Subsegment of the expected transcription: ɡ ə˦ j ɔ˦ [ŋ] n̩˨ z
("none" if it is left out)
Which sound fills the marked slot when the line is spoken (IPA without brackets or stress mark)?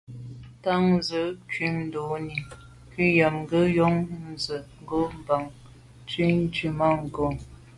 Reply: ŋ